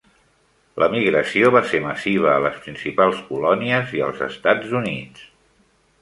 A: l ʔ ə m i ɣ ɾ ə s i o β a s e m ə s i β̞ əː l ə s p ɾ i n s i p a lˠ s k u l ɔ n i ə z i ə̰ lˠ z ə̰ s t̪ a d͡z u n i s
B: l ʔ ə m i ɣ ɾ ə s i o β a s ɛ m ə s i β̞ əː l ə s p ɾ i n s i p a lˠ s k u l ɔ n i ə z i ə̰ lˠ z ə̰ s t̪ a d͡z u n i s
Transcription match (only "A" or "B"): A